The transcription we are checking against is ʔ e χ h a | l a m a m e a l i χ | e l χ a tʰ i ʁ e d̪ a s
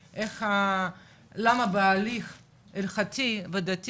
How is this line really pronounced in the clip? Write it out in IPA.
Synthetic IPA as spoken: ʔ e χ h a | l a m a b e a l i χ | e l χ a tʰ i v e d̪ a t